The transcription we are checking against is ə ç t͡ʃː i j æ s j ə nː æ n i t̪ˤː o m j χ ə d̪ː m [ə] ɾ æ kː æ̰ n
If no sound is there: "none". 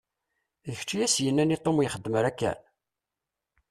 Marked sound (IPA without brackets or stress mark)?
ə